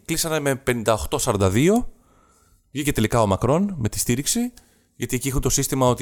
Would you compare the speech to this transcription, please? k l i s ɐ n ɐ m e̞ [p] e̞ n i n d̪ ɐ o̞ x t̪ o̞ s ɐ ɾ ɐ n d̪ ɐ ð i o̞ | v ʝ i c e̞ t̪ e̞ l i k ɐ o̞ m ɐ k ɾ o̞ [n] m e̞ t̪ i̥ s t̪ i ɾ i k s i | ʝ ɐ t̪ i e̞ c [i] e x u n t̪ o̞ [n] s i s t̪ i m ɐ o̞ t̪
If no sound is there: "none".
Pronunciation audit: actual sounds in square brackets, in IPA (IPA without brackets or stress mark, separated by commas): p, n, i, none